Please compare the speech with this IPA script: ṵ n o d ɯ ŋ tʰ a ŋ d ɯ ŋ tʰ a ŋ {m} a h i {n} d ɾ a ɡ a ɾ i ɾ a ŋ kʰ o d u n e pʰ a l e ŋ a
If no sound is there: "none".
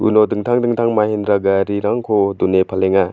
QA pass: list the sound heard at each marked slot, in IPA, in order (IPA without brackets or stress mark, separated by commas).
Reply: m, n